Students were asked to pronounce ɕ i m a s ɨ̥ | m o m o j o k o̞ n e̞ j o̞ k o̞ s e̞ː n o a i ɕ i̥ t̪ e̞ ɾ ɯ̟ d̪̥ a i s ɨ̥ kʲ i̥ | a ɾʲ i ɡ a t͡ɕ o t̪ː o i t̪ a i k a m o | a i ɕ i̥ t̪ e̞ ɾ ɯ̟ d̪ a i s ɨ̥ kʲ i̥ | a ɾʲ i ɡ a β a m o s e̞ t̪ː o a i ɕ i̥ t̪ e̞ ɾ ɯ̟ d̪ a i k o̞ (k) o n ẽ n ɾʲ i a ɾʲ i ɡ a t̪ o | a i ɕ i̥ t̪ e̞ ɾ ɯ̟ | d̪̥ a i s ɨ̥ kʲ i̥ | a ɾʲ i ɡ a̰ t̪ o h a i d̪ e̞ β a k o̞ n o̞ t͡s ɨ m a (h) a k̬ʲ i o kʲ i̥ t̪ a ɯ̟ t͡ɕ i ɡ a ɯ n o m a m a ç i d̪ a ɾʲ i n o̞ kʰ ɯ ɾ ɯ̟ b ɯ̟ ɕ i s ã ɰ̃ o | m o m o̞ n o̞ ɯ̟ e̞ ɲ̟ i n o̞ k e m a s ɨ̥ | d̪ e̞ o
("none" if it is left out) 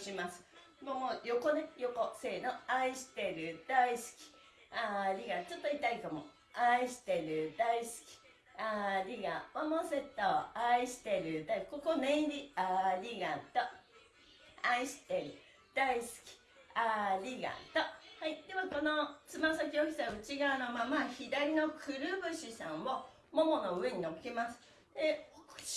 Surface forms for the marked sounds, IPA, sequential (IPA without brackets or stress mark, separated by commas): k, s